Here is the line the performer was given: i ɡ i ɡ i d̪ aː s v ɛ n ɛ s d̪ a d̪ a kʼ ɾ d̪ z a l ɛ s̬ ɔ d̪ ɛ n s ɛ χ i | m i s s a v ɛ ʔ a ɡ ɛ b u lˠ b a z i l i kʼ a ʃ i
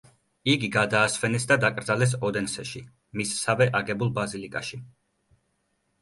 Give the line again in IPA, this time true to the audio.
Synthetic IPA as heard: i ɡ i ɡ a d̪ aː s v ɛ n ɛ s d̪ a d̪ a kʼ ɾ d̪ z a l ɛ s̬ ɔ d̪ ɛ n s ɛ ʃ i | m i s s a v ɛ ʔ a ɡ ɛ b u lˠ b a z i l i kʼ a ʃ i